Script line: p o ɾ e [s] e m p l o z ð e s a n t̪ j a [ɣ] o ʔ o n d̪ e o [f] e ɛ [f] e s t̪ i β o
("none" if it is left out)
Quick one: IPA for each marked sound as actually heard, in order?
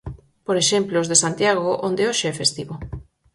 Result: ʃ, ɣ, ʃ, f

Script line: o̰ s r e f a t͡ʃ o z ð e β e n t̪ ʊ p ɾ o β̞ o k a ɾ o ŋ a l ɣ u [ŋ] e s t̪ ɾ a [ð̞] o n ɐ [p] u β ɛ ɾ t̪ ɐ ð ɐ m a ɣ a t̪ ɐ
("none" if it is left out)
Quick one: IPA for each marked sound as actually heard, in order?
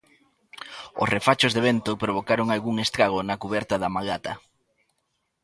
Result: ŋ, ɣ̞, k

